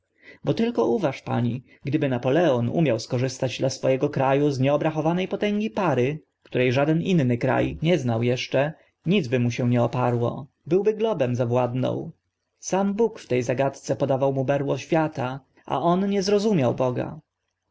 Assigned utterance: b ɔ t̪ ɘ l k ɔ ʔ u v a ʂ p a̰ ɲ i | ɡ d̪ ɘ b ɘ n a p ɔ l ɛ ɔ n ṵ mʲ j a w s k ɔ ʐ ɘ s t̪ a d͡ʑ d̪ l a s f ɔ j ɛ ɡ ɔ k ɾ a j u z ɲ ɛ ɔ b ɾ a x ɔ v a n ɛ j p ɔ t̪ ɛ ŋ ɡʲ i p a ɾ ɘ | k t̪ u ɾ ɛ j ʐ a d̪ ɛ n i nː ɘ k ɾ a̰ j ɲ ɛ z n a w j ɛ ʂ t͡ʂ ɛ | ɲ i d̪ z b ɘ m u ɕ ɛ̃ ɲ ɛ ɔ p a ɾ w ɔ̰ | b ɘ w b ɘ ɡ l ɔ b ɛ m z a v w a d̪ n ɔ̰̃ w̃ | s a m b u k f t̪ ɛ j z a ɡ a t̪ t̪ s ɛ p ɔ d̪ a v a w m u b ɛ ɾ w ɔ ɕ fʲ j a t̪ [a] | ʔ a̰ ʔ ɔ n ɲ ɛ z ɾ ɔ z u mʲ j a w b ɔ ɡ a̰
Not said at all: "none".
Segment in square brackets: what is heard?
a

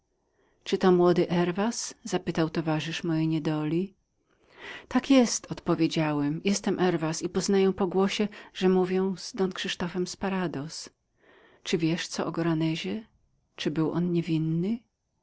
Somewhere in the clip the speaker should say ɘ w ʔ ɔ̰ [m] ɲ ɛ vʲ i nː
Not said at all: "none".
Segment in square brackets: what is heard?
n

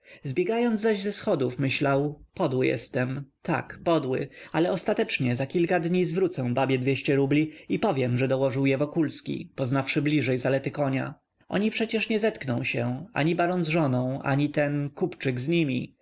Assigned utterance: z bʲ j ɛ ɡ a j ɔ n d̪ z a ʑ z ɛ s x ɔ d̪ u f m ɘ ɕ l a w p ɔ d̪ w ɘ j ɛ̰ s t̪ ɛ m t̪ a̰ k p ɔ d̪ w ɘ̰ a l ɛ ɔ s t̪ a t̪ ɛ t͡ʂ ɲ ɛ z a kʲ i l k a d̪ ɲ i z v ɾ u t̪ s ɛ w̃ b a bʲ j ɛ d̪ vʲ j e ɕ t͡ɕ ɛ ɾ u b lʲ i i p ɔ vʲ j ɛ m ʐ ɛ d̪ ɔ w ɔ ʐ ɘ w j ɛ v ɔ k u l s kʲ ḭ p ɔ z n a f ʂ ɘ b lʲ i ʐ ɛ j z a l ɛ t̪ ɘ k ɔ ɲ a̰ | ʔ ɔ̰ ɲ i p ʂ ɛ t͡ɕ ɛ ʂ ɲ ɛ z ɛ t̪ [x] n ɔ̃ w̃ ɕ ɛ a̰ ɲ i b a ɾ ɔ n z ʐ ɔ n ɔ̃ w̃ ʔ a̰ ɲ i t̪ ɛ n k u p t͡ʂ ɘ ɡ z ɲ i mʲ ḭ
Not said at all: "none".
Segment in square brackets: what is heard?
k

